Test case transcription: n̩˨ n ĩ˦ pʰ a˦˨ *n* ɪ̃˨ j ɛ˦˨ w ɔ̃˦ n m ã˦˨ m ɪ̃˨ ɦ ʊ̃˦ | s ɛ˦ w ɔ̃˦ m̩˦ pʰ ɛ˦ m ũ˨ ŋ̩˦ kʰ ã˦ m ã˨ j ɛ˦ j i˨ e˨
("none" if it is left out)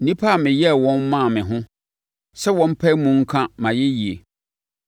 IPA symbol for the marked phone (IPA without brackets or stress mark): m